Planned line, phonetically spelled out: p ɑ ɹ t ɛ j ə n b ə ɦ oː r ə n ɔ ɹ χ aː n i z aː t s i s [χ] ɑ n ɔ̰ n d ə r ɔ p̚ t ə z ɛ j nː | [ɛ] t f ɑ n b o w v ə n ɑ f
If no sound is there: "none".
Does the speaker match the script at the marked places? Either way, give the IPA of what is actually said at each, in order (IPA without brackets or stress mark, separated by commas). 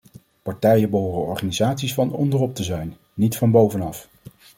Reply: f, i